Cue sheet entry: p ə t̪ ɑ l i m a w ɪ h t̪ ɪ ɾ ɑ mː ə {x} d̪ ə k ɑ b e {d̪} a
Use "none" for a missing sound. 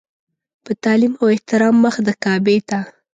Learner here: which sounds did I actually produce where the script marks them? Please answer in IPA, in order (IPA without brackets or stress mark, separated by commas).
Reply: x, t̪